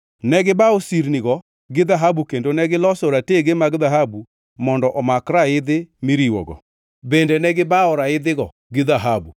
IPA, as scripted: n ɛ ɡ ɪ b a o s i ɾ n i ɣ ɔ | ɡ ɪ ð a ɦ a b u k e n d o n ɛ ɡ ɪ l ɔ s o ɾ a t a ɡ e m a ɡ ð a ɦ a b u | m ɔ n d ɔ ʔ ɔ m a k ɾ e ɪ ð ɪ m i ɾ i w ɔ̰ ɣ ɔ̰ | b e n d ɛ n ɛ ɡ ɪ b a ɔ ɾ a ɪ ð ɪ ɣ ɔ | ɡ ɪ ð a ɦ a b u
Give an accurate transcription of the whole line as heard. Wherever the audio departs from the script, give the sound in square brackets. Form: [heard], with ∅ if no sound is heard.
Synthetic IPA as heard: n ɛ ɡ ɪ b a o s i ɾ n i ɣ ɔ | ɡ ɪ ð a ɦ a b u k e n d o n ɛ ɡ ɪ l ɔ s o ɾ a t [e] ɡ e m a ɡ ð a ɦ a b u | m ɔ n d ɔ ʔ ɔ m a k ɾ [a] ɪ ð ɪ m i ɾ i w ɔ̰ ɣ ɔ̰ | b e n d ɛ n ɛ ɡ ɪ b a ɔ ɾ a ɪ ð ɪ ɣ ɔ | ɡ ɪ ð a ɦ a b u

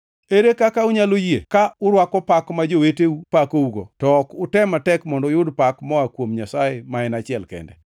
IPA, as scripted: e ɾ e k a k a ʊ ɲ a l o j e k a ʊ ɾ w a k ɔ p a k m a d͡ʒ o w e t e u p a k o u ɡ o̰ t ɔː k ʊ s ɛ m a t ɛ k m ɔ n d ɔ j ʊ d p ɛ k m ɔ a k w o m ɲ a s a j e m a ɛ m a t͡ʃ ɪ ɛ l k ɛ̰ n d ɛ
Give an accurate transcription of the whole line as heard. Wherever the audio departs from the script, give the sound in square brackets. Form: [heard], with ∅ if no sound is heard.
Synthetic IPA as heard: e ɾ e k a k a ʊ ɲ a l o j e k a ʊ ɾ w a k ɔ p a k m a d͡ʒ o w e t e u p a k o u ɡ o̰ t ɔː k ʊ [t] ɛ m a t ɛ k m ɔ n d ɔ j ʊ d p [a] k m ɔ a k w o m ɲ a s a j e m a ɛ [n] a t͡ʃ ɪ ɛ l k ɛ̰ n d ɛ

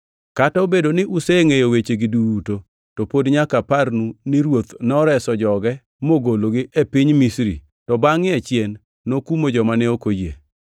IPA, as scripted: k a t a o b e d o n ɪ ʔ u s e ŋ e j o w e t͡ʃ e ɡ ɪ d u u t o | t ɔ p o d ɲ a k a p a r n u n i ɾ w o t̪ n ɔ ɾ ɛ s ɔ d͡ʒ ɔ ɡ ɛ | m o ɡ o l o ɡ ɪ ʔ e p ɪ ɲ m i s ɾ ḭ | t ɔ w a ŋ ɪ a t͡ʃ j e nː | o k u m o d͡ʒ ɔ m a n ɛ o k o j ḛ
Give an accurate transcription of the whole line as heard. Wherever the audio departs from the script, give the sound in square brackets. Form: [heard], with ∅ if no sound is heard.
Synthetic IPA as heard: k a t a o b e d o n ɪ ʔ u s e ŋ e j o w e t͡ʃ e ɡ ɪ d u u t o | t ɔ p o d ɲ a k a p a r n u n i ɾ w o t̪ n ɔ ɾ ɛ s ɔ d͡ʒ ɔ ɡ ɛ | m o ɡ o l o ɡ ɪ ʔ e p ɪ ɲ m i s ɾ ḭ | t ɔ [b] a ŋ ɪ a t͡ʃ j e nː | o k u m o d͡ʒ ɔ m a n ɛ o k o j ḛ

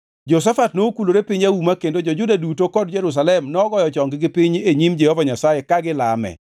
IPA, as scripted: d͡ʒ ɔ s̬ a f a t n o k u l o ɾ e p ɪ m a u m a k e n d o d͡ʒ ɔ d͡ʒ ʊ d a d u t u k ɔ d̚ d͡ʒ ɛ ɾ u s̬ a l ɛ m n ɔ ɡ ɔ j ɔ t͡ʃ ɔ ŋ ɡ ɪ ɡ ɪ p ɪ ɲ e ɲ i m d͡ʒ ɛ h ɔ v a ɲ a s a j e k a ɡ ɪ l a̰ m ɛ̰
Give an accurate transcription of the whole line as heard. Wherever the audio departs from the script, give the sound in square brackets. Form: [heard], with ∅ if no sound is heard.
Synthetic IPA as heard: d͡ʒ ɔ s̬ a f a t n o k u l o ɾ e p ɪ [ɲ] a u m a k e n d o d͡ʒ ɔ d͡ʒ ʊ d a d u t [o] k ɔ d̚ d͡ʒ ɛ ɾ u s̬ a l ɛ m n ɔ ɡ ɔ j ɔ t͡ʃ ɔ ŋ ɡ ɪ ɡ ɪ p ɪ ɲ e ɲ i m d͡ʒ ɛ h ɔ v a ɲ a s a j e k a ɡ ɪ l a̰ m ɛ̰

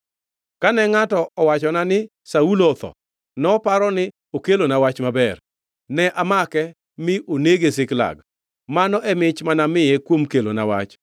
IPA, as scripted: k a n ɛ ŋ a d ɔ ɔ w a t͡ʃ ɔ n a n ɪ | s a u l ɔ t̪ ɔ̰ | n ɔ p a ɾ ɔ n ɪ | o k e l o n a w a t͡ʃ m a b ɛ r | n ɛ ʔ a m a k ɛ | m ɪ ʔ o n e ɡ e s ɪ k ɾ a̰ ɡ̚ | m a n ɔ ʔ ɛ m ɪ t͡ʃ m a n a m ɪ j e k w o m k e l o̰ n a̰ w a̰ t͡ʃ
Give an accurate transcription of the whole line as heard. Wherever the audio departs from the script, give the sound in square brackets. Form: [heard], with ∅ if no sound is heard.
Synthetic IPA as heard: k a n ɛ ŋ a [t] ɔ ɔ w a t͡ʃ ɔ n a n ɪ | s a u l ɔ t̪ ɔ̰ | n ɔ p a ɾ ɔ n ɪ | o k e l o n a w a t͡ʃ m a b ɛ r | n ɛ ʔ a m a k ɛ | m ɪ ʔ o n e ɡ e s ɪ k [l] a̰ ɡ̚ | m a n ɔ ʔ ɛ m ɪ t͡ʃ m a n a m ɪ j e k w o m k e l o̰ n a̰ w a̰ t͡ʃ

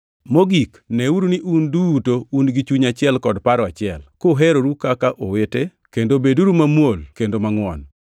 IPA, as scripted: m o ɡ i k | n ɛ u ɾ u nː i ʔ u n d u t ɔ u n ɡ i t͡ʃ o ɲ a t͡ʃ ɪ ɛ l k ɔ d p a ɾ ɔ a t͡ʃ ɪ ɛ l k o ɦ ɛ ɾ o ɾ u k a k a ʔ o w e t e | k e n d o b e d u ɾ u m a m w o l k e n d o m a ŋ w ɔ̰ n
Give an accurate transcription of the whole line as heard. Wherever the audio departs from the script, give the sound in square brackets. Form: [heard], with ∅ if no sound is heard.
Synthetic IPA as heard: m o ɡ i k | n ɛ u ɾ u [n] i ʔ u n d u t [o] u n ɡ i t͡ʃ [u] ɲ a t͡ʃ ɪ ɛ l k ɔ d p a ɾ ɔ a t͡ʃ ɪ ɛ l k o ɦ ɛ ɾ o ɾ u k a k a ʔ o w e t e | k e n d o b e d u ɾ u m a m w o l k e n d o m a ŋ w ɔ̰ n

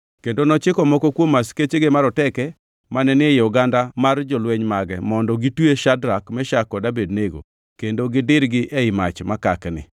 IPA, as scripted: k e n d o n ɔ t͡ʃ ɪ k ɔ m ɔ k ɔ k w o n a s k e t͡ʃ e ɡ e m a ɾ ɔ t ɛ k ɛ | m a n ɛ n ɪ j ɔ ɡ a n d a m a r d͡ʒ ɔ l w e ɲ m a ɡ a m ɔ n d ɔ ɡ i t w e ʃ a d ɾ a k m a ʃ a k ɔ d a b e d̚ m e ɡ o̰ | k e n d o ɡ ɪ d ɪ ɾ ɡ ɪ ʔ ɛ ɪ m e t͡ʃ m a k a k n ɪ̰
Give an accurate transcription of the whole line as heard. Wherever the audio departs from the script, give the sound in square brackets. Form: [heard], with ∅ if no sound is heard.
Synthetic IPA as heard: k e n d o n ɔ t͡ʃ ɪ k ɔ m ɔ k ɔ k w o [m] a s k e t͡ʃ e ɡ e m a ɾ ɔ t ɛ k ɛ | m a n ɛ n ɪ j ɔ ɡ a n d a m a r d͡ʒ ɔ l w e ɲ m a ɡ [ɛ] m ɔ n d ɔ ɡ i t w e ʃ a d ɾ a k m [ɛ] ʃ a k ɔ d a b e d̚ [n] e ɡ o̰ | k e n d o ɡ ɪ d ɪ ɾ ɡ ɪ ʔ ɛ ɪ m [a] t͡ʃ m a k a k n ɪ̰

